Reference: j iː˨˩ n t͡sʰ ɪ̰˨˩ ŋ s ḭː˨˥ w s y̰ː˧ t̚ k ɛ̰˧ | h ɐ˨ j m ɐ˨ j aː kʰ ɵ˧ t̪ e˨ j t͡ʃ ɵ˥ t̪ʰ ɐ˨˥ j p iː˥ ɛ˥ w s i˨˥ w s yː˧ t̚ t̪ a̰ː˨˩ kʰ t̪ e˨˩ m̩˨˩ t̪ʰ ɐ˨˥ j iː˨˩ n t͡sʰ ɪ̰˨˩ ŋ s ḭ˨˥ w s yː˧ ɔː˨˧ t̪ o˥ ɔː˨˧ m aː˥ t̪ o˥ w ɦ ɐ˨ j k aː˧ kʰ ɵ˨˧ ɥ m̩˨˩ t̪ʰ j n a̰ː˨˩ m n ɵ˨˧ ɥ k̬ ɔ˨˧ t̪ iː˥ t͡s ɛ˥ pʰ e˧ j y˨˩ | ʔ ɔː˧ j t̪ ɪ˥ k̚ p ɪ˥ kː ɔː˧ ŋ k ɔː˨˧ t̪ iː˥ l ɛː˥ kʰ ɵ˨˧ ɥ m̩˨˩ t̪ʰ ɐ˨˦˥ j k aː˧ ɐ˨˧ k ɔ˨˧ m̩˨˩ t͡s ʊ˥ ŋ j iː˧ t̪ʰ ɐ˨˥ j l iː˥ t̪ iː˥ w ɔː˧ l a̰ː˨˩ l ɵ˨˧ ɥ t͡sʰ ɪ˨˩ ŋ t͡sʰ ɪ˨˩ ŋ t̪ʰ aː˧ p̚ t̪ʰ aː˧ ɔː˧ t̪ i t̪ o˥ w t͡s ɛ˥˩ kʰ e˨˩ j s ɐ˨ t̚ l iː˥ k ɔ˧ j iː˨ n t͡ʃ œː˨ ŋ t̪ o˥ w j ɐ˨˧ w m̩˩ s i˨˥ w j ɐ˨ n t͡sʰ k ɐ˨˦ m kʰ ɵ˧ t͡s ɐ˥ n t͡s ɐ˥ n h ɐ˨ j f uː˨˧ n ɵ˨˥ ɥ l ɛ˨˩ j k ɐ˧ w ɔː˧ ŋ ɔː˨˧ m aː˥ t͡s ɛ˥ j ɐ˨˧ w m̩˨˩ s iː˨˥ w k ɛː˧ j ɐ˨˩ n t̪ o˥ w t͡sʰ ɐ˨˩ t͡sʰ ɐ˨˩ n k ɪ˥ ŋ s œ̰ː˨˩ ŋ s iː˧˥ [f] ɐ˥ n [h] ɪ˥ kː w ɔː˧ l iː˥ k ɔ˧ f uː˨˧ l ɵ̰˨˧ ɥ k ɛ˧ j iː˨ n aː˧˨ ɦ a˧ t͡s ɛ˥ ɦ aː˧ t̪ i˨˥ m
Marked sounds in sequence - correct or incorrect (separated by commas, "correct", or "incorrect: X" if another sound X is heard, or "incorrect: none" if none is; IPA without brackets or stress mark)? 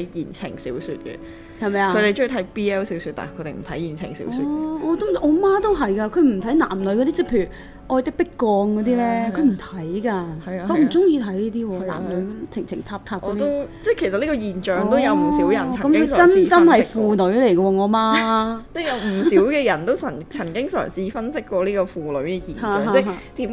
correct, incorrect: s